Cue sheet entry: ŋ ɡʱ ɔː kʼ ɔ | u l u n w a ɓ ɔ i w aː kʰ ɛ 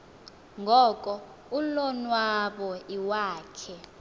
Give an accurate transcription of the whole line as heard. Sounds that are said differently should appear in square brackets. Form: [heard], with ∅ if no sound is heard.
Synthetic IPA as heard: ŋ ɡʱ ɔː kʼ ɔ | u l [ɔ] n w a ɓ ɔ i w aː kʰ ɛ